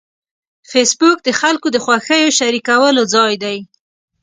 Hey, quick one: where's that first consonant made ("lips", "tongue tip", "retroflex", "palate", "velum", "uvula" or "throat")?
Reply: lips